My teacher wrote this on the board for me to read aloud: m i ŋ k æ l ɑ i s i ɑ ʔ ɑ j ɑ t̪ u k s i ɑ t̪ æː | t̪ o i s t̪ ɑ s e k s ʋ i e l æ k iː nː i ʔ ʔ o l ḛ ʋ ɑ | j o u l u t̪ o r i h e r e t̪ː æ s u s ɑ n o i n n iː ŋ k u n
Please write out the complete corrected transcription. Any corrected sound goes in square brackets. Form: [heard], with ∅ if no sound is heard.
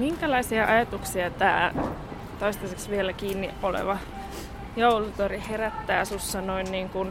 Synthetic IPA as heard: m i ŋ k æ l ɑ i s i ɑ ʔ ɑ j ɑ t̪ u k s i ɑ t̪ æː | t̪ o i s t̪ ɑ s e k s ʋ i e l æ k iː nː i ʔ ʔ o l ḛ ʋ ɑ | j o u l u t̪ o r i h e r [æ] t̪ː [æː] s u [sː] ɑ n o i n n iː ŋ k u n